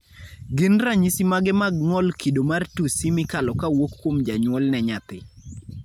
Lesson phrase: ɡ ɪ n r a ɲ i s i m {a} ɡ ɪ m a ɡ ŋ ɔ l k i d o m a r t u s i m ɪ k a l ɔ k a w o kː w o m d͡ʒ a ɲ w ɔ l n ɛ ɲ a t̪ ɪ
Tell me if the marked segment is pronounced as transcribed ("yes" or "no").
yes